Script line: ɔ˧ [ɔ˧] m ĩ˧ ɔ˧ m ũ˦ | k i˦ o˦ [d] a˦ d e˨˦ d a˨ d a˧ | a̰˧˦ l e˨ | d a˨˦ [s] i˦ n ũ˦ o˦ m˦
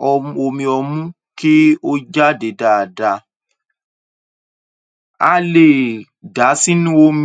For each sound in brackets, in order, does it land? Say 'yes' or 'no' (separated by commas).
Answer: no, no, yes